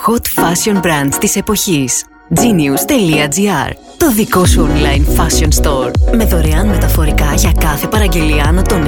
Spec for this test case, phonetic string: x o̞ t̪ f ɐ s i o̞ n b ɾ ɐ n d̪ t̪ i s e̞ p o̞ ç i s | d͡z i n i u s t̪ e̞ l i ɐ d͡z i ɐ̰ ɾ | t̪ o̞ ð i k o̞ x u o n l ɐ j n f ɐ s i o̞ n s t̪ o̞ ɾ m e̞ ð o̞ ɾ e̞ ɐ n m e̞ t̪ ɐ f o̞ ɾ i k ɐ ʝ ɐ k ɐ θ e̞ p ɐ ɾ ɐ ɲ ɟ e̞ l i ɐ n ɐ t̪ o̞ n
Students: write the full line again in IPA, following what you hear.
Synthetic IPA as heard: x o̞ t̪ f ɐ s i o̞ n b ɾ ɐ n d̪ t̪ i s e̞ p o̞ ç i s | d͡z i n i u s t̪ e̞ l i ɐ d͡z i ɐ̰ ɾ | t̪ o̞ ð i k o̞ s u o n l ɐ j n f ɐ s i o̞ n s t̪ o̞ ɾ m e̞ ð o̞ ɾ e̞ ɐ n m e̞ t̪ ɐ f o̞ ɾ i k ɐ ʝ ɐ k ɐ θ e̞ p ɐ ɾ ɐ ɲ ɟ e̞ l i ɐ n ɐ t̪ o̞ n